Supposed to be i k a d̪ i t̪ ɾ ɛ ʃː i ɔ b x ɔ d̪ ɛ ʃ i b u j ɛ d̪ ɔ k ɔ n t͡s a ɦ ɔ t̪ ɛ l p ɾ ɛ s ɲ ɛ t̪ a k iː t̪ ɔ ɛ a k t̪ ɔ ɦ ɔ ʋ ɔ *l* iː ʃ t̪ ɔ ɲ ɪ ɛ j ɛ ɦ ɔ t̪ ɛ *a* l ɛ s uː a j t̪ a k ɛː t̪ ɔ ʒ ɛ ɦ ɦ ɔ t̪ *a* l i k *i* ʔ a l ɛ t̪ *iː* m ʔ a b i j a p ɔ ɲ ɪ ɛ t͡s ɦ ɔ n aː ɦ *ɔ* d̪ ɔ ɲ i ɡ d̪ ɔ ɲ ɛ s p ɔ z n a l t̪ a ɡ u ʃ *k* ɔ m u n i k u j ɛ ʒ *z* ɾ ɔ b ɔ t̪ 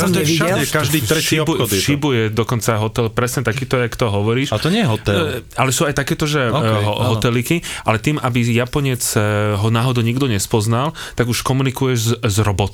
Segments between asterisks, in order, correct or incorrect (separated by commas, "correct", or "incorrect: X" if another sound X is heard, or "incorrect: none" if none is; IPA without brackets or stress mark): incorrect: ɾ, correct, incorrect: ɛ, correct, correct, correct, correct, correct